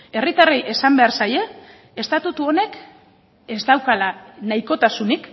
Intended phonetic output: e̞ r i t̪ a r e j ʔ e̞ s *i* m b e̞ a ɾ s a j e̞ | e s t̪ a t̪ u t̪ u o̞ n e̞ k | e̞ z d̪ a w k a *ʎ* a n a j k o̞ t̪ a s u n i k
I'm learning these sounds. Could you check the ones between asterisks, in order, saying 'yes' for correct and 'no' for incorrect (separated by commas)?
no, no